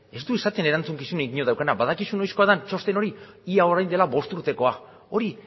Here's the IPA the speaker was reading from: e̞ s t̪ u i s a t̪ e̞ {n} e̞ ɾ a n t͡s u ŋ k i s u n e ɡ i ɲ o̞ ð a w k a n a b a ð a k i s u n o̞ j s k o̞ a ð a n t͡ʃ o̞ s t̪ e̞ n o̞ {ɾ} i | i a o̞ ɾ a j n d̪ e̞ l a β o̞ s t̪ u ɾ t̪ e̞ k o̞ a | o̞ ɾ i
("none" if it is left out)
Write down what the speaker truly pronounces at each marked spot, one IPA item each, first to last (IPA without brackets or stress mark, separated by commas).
n, ɾ